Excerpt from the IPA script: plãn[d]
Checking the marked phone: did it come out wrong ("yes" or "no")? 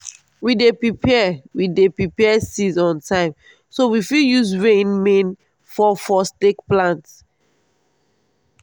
yes